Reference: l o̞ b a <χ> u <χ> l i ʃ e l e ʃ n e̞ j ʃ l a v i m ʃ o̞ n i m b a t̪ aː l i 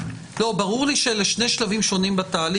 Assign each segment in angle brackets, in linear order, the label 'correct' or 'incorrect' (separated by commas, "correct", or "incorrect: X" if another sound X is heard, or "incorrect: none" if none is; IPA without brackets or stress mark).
incorrect: ʁ, incorrect: ʁ